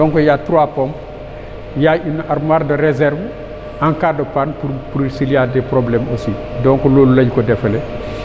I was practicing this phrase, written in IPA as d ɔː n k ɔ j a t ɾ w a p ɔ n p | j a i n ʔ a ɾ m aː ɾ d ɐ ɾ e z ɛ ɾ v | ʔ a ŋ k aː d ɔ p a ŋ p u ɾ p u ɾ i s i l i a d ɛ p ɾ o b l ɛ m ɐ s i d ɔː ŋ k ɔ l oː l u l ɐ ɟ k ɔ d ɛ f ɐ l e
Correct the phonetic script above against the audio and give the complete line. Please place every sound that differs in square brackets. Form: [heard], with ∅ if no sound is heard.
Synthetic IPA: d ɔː [ŋ] k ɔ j a t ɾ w a p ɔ [m] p | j a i n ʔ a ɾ m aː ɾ d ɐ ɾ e z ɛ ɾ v | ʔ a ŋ k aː d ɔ p a [n] p u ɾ p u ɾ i s i l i a d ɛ p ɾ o b l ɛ m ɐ s i d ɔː ŋ k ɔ l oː l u l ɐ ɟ k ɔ d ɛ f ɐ l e